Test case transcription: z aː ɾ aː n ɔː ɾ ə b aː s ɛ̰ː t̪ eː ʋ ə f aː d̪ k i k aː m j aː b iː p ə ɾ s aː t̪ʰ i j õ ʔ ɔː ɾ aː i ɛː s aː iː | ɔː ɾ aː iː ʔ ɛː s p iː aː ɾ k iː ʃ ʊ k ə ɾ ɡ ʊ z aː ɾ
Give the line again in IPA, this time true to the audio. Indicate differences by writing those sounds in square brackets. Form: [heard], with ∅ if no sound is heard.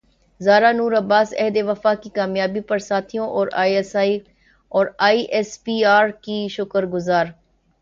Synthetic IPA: z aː ɾ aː n [uː] ɾ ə b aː s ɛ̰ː [d̪] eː ʋ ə f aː [∅] k i k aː m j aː b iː p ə ɾ s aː t̪ʰ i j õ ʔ ɔː ɾ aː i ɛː s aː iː | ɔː ɾ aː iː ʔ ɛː s p iː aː ɾ k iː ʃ ʊ k ə ɾ ɡ ʊ z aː ɾ